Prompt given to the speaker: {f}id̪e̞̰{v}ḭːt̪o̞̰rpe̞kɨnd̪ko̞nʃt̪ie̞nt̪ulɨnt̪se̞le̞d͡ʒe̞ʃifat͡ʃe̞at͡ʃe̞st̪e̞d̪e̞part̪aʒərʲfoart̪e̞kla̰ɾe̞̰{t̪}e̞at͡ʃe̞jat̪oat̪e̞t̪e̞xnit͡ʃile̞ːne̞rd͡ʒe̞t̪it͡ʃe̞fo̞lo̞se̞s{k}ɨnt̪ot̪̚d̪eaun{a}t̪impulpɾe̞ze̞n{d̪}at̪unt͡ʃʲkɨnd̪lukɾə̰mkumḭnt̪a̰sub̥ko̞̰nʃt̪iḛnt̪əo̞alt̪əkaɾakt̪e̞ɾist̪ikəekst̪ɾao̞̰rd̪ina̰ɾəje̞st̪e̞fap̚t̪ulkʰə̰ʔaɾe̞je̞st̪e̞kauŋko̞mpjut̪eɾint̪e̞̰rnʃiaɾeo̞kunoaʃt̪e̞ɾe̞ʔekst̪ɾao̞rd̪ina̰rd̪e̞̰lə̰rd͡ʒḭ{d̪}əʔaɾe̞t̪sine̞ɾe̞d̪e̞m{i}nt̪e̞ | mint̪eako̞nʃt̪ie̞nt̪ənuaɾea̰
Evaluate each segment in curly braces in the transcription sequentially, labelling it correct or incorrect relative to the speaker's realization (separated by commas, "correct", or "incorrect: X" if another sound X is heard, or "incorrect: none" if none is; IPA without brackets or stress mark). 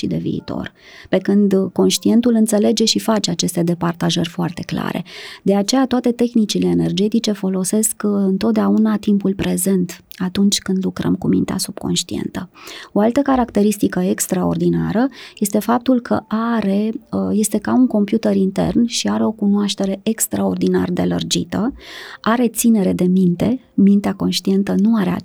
incorrect: ʃ, correct, incorrect: d̪, correct, correct, incorrect: t̪, incorrect: t̪, correct